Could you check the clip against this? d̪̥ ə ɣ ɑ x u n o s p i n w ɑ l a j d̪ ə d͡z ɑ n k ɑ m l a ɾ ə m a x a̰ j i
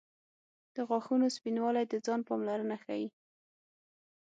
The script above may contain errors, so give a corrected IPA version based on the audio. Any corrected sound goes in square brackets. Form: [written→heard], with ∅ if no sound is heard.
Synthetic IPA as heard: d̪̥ ə ɣ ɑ x u n o s p i n w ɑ l a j d̪ ə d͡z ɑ n [k→p] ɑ m l a ɾ ə [m→n] a x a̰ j i